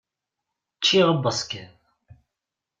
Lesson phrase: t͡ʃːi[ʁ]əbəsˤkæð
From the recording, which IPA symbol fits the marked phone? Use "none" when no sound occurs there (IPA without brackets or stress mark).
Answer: ʁ